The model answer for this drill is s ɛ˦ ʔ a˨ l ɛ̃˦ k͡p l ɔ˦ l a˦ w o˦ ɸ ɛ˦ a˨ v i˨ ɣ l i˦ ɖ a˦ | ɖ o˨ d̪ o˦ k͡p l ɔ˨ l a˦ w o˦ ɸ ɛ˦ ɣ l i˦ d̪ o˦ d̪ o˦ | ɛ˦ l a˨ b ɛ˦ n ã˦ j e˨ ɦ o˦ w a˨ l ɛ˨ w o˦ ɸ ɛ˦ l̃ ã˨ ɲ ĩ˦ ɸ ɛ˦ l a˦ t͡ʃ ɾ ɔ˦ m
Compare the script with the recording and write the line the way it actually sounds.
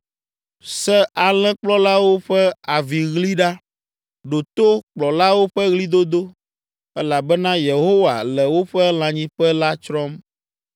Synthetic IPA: s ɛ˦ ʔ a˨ l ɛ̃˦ k͡p l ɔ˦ l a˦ w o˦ ɸ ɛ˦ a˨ v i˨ ɣ l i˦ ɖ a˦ | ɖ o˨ t̪ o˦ k͡p l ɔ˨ l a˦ w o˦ ɸ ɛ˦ ɣ l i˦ d̪ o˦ d̪ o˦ | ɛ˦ l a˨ b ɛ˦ n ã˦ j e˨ ɦ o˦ w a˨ l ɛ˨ w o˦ ɸ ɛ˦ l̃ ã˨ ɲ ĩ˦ ɸ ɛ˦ l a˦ t͡ʃ ɾ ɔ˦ m